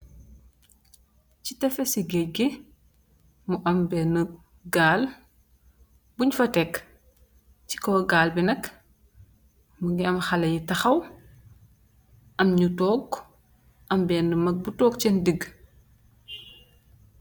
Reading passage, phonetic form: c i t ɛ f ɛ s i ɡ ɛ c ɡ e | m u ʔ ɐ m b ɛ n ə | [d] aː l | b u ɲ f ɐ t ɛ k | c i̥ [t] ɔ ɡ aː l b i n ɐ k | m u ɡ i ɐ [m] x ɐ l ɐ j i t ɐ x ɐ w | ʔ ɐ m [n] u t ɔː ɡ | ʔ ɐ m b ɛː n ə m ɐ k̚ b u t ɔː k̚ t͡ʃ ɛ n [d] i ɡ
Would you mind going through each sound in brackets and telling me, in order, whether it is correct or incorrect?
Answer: incorrect: ɡ, incorrect: k, correct, incorrect: ɲ, correct

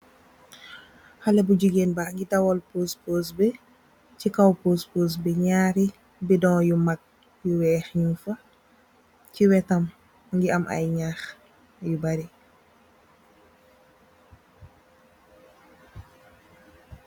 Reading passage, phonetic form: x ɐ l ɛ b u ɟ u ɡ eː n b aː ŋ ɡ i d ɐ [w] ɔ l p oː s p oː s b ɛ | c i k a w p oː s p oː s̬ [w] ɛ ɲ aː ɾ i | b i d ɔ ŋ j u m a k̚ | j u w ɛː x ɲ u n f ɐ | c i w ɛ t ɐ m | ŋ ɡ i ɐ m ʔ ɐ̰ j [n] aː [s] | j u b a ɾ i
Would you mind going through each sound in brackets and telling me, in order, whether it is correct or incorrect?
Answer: correct, incorrect: b, incorrect: ɲ, incorrect: x

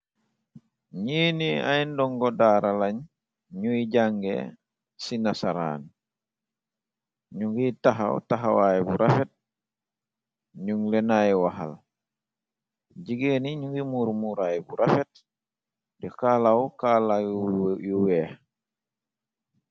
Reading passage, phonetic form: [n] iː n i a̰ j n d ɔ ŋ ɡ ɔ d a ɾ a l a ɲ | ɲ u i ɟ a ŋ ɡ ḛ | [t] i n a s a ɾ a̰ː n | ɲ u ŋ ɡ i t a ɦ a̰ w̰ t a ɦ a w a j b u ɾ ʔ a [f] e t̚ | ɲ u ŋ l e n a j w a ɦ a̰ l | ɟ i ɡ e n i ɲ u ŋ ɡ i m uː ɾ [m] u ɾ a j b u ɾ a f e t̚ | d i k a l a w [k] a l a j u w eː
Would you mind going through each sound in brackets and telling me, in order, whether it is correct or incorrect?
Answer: incorrect: ɲ, incorrect: s, correct, correct, correct

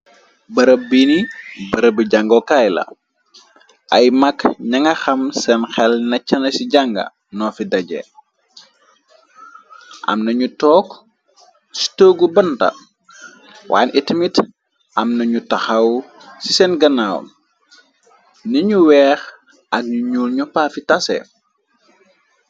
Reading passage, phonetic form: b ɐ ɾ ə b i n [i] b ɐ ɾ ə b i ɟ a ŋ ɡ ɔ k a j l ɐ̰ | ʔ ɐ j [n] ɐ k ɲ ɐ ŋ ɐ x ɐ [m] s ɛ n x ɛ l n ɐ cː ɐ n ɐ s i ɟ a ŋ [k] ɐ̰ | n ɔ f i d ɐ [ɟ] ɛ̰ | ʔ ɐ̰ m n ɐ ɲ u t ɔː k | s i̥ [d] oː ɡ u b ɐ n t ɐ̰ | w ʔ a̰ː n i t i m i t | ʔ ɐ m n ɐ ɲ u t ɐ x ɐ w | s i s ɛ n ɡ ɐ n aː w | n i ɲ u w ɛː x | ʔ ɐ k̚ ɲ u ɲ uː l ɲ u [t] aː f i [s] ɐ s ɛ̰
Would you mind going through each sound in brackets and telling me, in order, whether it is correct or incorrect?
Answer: correct, incorrect: m, correct, incorrect: ɡ, correct, incorrect: t, incorrect: p, incorrect: t

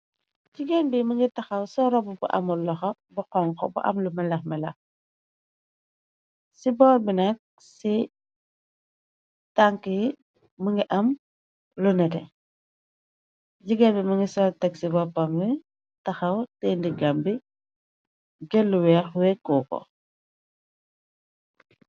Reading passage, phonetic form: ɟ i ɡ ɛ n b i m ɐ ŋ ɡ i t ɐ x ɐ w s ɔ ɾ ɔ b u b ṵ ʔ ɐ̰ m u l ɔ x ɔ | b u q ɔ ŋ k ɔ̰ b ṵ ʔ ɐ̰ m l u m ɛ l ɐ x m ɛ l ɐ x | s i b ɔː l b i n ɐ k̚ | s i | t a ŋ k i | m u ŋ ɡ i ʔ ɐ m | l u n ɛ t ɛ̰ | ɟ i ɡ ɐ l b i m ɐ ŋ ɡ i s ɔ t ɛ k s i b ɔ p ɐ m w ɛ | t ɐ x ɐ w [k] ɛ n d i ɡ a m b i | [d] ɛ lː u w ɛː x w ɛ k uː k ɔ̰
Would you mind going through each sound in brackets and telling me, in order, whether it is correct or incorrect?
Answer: incorrect: t, incorrect: ɡ

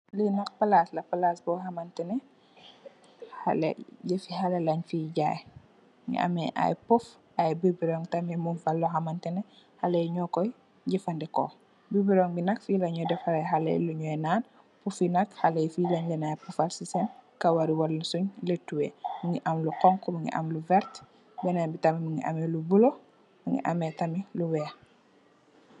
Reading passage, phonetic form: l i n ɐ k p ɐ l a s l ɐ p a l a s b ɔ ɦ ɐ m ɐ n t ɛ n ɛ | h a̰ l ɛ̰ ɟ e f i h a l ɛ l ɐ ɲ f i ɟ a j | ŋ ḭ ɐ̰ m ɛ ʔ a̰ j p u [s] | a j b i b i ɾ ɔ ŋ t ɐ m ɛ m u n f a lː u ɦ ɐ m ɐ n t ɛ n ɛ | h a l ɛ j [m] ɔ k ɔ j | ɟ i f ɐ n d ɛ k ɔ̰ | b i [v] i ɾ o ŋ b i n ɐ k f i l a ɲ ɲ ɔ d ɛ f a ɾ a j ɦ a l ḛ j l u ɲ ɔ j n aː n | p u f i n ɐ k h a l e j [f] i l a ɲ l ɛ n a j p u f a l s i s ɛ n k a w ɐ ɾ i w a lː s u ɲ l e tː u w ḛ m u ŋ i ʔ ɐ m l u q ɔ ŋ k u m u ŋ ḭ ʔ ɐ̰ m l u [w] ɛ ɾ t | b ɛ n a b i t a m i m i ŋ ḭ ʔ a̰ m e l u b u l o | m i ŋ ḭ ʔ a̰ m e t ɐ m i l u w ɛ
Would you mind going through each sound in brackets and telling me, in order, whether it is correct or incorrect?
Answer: incorrect: f, incorrect: ɲ, incorrect: b, correct, incorrect: v

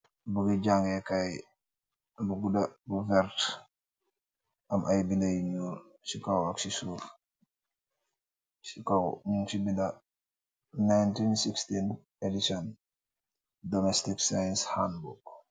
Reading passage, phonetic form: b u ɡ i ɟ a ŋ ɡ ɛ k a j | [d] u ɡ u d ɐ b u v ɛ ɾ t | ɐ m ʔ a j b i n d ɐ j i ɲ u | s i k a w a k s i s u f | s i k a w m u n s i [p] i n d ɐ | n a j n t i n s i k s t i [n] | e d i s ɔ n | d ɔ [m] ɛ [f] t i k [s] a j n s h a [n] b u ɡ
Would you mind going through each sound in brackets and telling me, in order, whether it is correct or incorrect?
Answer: incorrect: b, incorrect: b, correct, correct, incorrect: s, correct, correct

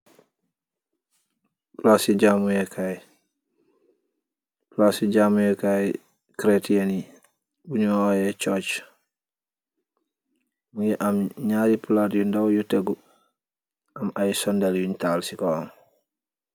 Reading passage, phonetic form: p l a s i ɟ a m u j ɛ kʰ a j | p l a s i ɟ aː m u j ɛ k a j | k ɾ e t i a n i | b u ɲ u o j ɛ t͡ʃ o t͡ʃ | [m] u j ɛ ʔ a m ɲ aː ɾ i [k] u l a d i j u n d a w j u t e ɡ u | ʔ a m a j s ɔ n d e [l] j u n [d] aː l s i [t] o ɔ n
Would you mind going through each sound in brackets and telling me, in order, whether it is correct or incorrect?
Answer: correct, incorrect: p, correct, incorrect: t, incorrect: k

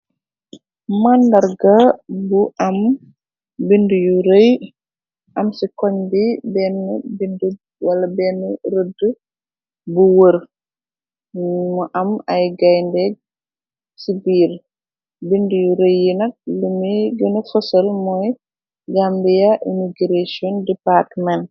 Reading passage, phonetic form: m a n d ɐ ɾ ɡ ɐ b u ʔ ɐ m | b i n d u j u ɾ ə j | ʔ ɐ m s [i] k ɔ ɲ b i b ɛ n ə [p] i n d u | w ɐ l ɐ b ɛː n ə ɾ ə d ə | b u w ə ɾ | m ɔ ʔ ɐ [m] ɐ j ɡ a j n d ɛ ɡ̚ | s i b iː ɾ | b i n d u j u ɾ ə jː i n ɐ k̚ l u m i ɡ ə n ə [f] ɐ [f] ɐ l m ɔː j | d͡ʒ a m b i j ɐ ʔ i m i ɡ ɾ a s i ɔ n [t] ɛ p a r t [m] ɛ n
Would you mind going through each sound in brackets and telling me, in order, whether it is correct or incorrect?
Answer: correct, incorrect: b, correct, correct, incorrect: s, incorrect: d, correct

